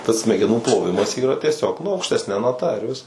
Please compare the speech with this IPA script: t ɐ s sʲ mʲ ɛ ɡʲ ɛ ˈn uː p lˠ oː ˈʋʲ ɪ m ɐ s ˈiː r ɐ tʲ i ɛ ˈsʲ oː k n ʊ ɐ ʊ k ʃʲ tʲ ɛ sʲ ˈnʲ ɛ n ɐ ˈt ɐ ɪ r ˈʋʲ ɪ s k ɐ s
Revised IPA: t ɐ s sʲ mʲ ɛ ɡʲ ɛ ˈn uː p lˠ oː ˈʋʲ ɪ m ɐ s ˈiː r ɐ tʲ i ɛ ˈsʲ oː k n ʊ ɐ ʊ k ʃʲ tʲ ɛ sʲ ˈnʲ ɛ n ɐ ˈt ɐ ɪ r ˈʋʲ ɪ s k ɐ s

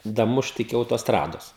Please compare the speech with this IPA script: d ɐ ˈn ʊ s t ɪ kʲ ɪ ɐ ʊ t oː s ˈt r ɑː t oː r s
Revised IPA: d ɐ ˈm ʊ ʃ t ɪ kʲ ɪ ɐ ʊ t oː s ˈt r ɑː d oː s

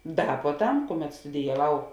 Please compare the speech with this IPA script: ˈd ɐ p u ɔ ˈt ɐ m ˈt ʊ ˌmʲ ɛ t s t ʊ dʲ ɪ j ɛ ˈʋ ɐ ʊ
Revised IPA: ˈd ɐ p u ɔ ˈt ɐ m ˈk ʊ ˌmʲ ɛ t s t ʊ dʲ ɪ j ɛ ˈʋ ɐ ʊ

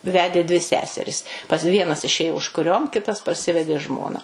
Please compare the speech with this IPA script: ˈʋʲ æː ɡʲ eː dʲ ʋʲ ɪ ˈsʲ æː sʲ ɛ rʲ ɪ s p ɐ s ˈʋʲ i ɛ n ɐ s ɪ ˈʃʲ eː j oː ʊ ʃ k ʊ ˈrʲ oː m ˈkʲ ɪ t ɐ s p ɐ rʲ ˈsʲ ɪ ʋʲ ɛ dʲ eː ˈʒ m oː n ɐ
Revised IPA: ˈʋʲ æː dʲ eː dʲ ʋʲ ɪ ˈsʲ æː sʲ ɛ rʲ ɪ s p ɐ s ˈʋʲ i ɛ n ɐ s ɪ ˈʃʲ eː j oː ʊ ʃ k ʊ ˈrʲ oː m ˈkʲ ɪ t ɐ s p ɐ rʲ ˈsʲ ɪ ʋʲ ɛ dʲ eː ˈʒ m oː n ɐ

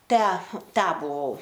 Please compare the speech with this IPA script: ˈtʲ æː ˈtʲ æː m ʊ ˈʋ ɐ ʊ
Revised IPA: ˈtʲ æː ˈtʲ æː b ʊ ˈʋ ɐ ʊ

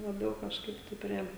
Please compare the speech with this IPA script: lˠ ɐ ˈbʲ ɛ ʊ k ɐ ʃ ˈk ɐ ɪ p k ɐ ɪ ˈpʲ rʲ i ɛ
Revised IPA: lˠ ɐ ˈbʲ ɛ ʊ k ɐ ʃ ˈk ɐ ɪ p t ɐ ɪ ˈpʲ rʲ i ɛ

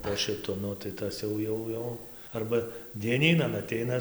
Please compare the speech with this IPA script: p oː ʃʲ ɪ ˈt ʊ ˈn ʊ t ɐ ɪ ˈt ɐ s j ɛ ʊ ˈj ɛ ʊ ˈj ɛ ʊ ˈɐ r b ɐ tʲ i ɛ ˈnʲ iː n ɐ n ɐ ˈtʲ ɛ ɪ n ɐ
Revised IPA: p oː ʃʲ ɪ ˈt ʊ ˈn ʊ t ɐ ɪ ˈt ɐ s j ɛ ʊ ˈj ɛ ʊ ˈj ɛ ʊ ˈɐ r b ɐ dʲ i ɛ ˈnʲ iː n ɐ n ɐ ˈtʲ ɛ ɪ n ɐ

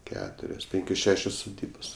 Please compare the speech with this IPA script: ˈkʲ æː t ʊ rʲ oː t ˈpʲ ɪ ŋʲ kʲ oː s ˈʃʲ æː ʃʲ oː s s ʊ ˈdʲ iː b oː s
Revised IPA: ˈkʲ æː t ʊ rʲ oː s ˈpʲ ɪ ŋʲ kʲ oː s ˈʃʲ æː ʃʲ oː s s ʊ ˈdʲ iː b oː s

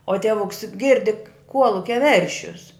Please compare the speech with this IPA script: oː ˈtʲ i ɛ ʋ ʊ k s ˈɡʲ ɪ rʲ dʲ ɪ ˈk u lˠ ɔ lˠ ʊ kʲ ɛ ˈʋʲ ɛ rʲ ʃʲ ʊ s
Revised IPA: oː ˈtʲ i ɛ ʋ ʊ k s ˈɡʲ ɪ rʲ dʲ ɪ ˈk u ɔ lˠ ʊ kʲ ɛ ˈʋʲ ɛ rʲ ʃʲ ʊ s

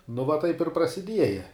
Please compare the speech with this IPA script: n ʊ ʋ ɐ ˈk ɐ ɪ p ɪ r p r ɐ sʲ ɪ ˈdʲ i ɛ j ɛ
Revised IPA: n ʊ ʋ ɐ ˈt ɐ ɪ p ɪ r p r ɐ sʲ ɪ ˈdʲ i ɛ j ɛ

